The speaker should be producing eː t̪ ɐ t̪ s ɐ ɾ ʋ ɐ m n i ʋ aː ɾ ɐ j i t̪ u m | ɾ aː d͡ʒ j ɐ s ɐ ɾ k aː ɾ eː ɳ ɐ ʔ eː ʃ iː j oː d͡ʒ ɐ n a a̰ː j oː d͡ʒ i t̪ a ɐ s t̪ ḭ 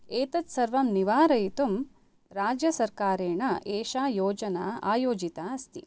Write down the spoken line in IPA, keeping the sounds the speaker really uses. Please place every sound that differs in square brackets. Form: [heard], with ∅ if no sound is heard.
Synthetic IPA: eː t̪ ɐ t̪ s ɐ ɾ ʋ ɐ m n i ʋ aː ɾ ɐ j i t̪ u m | ɾ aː d͡ʒ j ɐ s ɐ ɾ k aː ɾ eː ɳ ɐ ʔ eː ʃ [aː] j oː d͡ʒ ɐ n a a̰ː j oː d͡ʒ i t̪ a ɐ s t̪ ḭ

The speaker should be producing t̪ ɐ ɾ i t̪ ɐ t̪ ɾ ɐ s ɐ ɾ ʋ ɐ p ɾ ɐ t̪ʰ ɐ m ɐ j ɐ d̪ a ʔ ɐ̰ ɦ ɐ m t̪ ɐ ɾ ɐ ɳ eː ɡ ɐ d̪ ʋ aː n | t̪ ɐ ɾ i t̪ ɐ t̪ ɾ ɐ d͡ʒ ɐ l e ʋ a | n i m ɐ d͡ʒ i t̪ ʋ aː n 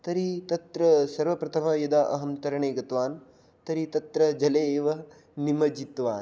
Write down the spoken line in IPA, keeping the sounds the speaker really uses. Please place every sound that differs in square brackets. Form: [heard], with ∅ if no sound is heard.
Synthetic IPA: t̪ ɐ ɾ i t̪ ɐ t̪ ɾ ɐ s ɐ ɾ ʋ ɐ p ɾ ɐ t̪ʰ ɐ m ɐ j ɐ d̪ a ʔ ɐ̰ ɦ ɐ m t̪ ɐ ɾ ɐ ɳ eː ɡ ɐ [t̪] ʋ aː n | t̪ ɐ ɾ i t̪ ɐ t̪ ɾ ɐ d͡ʒ ɐ l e ʋ [ɐ] | n i m ɐ d͡ʒ i t̪ ʋ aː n

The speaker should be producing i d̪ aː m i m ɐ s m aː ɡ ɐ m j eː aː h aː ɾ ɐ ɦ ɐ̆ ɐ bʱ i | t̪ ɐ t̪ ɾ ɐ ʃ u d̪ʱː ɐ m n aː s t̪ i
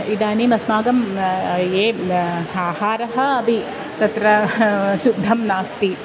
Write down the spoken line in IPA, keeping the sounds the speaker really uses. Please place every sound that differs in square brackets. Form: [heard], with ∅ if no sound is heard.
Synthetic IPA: i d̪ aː [n] i m ɐ s m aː ɡ ɐ m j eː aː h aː ɾ ɐ ɦ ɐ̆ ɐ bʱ i | t̪ ɐ t̪ ɾ ɐ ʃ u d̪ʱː ɐ m n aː s t̪ i

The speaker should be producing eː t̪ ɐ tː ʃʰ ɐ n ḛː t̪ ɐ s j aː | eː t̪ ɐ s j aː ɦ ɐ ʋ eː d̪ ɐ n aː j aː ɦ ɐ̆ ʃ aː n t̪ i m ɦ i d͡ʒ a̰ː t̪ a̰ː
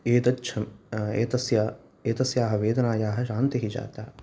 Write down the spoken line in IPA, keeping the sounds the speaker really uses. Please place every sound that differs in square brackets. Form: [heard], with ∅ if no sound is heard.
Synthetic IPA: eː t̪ ɐ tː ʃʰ ɐ [m] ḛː t̪ ɐ s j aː | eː t̪ ɐ s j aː ɦ ɐ ʋ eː d̪ ɐ n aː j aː ɦ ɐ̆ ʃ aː n t̪ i [∅] ɦ i d͡ʒ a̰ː t̪ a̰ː

